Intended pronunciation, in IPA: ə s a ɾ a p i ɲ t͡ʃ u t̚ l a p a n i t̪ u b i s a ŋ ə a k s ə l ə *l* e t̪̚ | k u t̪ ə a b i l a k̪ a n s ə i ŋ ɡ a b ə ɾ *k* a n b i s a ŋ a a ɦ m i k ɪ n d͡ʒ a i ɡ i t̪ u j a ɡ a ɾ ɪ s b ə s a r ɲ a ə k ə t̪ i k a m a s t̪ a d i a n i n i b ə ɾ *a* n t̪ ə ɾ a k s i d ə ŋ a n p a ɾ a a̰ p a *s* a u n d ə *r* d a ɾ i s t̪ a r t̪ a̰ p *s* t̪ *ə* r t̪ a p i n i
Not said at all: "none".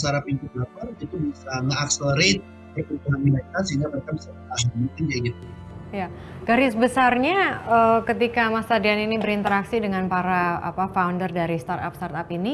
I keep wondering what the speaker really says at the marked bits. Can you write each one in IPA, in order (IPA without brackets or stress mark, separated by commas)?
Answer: ɾ, k, i, f, r, s, a